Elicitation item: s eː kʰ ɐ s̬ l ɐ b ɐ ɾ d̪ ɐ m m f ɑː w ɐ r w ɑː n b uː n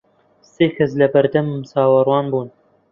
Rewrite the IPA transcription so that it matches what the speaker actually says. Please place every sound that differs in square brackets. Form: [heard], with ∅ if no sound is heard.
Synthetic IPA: s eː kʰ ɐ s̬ l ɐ b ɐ ɾ d̪ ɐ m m [s] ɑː w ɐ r w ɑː n b uː n

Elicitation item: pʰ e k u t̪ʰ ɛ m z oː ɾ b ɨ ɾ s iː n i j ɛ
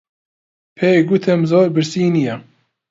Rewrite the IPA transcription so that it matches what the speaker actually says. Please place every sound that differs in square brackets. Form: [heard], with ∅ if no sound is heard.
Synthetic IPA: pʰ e [ɡ] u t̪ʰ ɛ m z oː ɾ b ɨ ɾ s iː n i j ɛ

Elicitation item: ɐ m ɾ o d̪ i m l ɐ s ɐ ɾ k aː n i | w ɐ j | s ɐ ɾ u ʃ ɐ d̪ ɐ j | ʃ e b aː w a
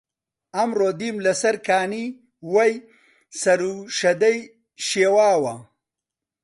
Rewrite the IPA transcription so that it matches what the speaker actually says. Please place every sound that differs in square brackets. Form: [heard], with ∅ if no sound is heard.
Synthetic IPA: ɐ m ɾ o d̪ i m l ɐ s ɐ ɾ k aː n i | w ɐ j | s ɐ ɾ u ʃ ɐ d̪ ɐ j | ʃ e [w] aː w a

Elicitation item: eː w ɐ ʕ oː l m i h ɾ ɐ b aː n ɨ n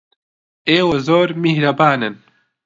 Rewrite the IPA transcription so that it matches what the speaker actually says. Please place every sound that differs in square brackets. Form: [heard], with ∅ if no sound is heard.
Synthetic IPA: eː w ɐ [z] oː [ɾ] m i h ɾ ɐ b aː n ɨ n

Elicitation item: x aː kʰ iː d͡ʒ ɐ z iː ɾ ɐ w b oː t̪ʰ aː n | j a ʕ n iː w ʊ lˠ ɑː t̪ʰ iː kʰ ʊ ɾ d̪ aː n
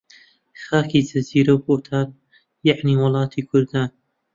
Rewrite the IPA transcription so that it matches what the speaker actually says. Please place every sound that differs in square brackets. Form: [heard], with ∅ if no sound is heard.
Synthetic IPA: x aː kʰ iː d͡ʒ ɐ z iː ɾ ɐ w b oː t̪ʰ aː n | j a ʕ n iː w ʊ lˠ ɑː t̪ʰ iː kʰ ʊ ɾ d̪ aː n

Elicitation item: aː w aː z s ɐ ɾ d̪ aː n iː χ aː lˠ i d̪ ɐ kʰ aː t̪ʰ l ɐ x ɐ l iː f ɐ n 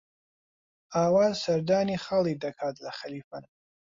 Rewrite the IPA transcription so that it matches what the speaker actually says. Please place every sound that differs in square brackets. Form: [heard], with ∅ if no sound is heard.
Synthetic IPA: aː w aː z s ɐ ɾ d̪ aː n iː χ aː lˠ i d̪ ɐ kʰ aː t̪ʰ l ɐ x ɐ l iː f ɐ n

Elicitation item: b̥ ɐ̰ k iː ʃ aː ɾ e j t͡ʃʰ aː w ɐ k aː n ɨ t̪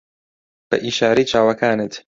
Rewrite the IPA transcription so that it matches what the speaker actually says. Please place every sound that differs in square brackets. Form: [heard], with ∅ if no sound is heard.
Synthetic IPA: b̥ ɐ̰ [ʔ] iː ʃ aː ɾ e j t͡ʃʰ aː w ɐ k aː n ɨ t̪

